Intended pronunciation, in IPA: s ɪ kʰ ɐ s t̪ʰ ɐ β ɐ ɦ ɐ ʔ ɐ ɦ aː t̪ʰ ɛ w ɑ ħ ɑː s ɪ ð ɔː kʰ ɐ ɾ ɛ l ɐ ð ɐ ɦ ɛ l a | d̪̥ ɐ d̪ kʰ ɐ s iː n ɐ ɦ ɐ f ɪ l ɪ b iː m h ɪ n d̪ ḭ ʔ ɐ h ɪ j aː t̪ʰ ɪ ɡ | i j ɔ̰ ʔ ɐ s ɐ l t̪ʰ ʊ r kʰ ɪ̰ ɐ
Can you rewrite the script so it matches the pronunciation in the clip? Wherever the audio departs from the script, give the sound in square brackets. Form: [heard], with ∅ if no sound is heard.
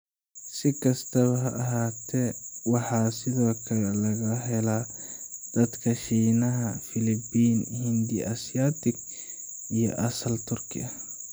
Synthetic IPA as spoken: s ɪ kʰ ɐ s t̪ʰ ɐ β ɐ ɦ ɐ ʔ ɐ ɦ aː t̪ʰ ɛ w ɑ ħ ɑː s ɪ ð ɔː kʰ ɐ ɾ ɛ l ɐ [ɣ] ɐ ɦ ɛ l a | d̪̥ ɐ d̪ kʰ ɐ [ʃ] iː n ɐ ɦ ɐ f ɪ l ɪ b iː [n] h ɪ n d̪ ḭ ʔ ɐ [s] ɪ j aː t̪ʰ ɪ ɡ | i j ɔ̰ ʔ ɐ s ɐ l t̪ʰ ʊ r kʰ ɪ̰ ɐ